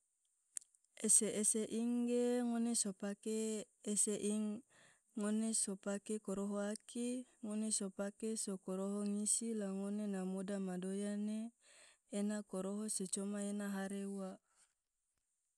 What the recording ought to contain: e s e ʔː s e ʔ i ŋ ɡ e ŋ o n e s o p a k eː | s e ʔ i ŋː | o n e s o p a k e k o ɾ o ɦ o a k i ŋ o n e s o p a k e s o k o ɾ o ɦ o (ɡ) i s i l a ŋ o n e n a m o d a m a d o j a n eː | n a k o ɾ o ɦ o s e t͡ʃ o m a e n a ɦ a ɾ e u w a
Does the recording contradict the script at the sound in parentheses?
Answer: yes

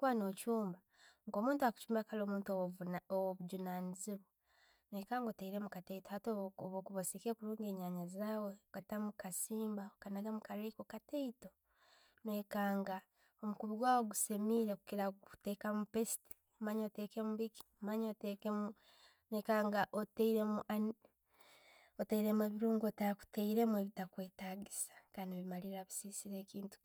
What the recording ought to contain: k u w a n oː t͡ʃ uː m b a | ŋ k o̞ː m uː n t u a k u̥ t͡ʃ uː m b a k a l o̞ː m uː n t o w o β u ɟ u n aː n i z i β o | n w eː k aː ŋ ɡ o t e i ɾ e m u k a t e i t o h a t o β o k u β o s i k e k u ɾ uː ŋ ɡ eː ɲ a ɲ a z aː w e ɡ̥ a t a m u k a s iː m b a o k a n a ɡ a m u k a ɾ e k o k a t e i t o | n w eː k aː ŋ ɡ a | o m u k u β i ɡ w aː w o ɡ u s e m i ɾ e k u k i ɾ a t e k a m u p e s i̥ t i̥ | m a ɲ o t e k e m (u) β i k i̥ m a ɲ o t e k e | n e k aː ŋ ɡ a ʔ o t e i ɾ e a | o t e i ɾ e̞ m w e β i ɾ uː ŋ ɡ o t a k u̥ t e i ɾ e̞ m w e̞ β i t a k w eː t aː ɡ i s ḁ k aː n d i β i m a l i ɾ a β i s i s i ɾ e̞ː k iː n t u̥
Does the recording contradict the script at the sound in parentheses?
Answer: no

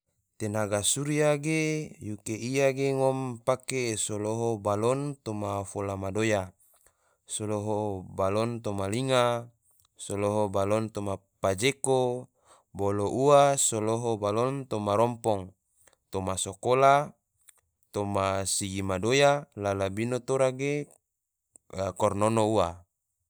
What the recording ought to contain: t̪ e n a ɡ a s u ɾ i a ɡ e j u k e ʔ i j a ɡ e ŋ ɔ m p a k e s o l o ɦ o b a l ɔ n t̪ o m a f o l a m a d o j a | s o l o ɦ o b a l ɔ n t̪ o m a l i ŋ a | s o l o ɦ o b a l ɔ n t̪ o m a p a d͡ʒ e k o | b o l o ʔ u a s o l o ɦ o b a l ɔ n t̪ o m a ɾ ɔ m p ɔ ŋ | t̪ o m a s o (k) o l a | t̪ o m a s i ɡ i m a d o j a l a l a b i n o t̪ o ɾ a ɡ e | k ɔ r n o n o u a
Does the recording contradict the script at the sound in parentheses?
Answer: no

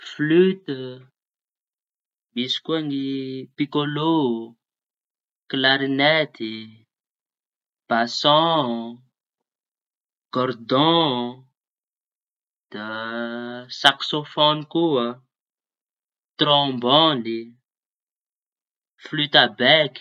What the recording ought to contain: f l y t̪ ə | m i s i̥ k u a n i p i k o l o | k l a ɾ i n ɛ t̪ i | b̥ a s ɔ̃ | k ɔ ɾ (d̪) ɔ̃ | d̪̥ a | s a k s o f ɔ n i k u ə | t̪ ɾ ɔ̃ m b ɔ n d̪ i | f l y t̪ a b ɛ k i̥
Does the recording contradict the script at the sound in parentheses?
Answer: no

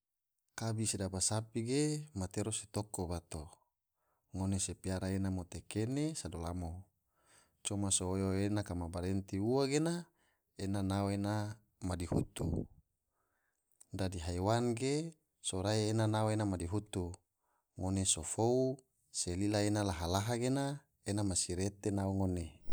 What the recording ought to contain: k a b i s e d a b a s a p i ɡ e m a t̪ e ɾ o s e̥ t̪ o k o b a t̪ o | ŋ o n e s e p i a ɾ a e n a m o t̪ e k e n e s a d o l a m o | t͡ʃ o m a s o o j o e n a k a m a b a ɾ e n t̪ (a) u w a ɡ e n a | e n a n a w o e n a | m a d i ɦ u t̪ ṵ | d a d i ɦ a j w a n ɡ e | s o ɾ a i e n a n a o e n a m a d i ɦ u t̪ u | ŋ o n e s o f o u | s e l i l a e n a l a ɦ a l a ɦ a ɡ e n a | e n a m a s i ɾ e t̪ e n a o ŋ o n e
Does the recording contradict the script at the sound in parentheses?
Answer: yes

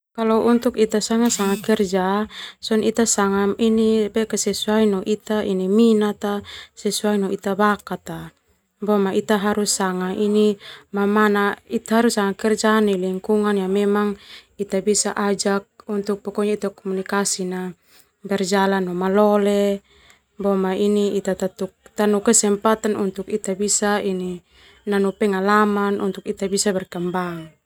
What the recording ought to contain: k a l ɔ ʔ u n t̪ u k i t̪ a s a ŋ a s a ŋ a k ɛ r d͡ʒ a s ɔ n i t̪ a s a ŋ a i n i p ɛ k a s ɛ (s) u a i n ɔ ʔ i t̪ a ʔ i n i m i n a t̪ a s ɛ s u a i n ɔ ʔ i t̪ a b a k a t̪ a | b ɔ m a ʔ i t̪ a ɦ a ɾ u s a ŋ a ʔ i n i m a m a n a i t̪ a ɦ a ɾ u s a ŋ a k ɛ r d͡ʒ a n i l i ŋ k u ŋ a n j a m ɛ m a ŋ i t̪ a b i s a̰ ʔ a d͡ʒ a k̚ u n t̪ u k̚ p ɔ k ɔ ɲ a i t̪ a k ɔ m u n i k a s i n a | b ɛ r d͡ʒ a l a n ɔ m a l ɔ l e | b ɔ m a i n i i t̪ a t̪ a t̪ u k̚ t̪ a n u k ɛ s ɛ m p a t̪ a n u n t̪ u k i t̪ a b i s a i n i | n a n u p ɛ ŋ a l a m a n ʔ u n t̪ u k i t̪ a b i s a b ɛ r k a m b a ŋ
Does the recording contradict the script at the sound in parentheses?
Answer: no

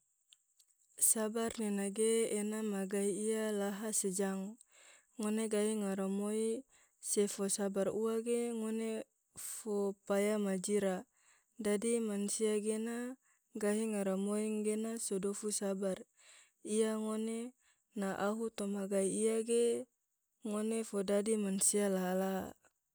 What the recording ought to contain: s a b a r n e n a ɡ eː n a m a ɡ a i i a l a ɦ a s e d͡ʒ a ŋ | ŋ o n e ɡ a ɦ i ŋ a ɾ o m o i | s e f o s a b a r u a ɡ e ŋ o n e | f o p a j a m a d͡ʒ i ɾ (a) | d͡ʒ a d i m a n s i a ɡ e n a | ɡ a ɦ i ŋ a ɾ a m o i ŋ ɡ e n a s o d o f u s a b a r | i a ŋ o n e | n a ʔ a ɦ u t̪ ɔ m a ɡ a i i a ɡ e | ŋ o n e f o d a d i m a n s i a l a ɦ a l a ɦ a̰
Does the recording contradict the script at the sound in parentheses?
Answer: no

